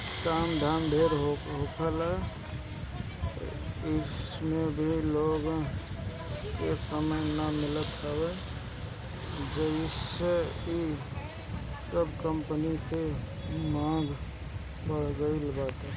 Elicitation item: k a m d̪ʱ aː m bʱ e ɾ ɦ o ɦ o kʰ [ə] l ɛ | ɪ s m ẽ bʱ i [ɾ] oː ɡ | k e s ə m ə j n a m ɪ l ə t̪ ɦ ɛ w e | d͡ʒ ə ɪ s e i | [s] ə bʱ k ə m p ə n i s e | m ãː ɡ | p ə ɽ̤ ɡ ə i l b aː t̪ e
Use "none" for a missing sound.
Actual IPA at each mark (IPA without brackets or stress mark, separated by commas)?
ə, l, s